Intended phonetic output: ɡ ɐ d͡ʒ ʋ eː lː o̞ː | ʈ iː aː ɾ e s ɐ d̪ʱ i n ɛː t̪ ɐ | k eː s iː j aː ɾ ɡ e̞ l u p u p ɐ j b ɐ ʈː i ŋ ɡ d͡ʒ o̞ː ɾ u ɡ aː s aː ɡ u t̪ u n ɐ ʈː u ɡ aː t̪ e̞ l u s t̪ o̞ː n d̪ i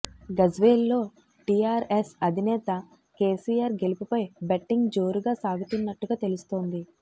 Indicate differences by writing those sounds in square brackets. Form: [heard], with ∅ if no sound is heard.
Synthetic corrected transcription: ɡ ɐ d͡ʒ ʋ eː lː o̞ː | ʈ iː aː ɾ e s ɐ d̪ʱ i n ɛː t̪ ɐ | k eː s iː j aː ɾ ɡ e̞ l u p u p ɐ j b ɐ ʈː i ŋ ɡ d͡ʒ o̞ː ɾ u ɡ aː s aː ɡ u t̪ u [nː] ɐ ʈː u ɡ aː t̪ e̞ l u s t̪ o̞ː n d̪ i